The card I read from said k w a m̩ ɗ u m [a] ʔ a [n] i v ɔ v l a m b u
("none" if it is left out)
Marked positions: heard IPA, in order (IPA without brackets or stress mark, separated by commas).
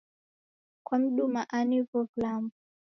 a, n